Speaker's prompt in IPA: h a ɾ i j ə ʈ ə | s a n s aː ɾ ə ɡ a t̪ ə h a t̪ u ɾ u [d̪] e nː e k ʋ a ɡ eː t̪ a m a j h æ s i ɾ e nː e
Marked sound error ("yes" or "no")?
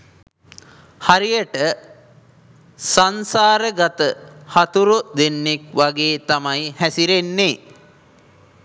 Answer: no